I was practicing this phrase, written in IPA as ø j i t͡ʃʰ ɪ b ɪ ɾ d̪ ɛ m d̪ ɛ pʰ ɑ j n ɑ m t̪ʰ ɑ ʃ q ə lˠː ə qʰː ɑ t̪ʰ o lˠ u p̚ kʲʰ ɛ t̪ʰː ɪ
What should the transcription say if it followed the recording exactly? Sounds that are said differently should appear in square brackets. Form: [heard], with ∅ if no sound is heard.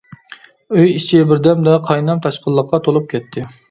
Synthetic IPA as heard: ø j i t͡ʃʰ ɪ b ɪ ɾ d̪ ɛ m d̪ ɛ [qʰ] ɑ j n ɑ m t̪ʰ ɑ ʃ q ə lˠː ə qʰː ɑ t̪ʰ o lˠ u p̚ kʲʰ ɛ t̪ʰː ɪ